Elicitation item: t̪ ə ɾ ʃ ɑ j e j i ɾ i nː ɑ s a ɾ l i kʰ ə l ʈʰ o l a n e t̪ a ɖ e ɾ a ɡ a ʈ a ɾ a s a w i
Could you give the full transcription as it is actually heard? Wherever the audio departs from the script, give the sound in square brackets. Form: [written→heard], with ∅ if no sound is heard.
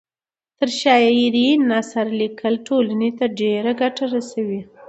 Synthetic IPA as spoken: t̪ ə ɾ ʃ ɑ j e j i ɾ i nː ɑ s a ɾ l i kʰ ə l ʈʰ o l a n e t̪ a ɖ e ɾ a ɡ a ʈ a ɾ a s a w i